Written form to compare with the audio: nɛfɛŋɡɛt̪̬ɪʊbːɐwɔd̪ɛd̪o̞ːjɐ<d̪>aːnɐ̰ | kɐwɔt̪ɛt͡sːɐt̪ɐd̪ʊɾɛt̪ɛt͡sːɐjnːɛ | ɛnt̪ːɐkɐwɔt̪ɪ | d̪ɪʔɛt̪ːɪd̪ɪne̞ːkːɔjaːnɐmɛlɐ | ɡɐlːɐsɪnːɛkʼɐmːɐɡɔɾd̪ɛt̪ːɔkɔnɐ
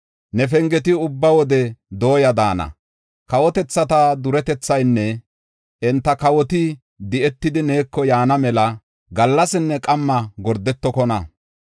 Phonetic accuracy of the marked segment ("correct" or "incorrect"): correct